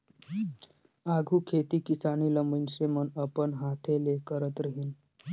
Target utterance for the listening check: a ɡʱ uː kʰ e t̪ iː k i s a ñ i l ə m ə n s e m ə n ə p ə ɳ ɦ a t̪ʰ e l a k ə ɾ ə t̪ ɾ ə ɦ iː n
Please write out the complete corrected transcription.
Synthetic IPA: a ɡʱ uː kʰ e t̪ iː k i s a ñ i l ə m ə n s e m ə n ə p ə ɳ ɦ a t̪ʰ e l e k ə ɾ ə t̪ ɾ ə ɦ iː n